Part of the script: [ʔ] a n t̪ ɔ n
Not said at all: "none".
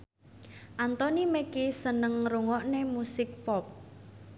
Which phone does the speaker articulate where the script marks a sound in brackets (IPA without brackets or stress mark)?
ʔ